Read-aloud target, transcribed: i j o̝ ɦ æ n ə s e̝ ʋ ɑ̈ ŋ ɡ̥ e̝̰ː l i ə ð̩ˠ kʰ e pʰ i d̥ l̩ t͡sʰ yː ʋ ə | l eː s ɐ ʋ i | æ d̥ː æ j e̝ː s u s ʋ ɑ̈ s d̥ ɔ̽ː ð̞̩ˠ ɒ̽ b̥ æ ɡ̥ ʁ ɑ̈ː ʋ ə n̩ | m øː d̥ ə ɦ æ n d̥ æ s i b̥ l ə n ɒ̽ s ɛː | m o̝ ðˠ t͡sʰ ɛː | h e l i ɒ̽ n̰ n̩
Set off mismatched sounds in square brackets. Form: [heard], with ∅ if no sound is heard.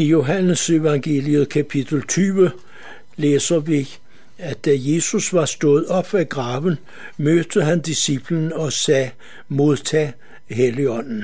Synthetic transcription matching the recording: i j o̝ ɦ æ n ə s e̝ ʋ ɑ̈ ŋ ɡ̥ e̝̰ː l i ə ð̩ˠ kʰ [æ] pʰ i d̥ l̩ t͡sʰ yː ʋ ə | l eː s ɐ ʋ i | æ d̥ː æ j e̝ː s u s ʋ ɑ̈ s d̥ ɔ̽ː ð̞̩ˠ ɒ̽ b̥ æ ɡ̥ ʁ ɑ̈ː ʋ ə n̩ | m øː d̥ ə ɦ æ n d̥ [i] s i b̥ l ə n ɒ̽ s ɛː | m o̝ ðˠ t͡sʰ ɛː | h e l i ɒ̽ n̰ n̩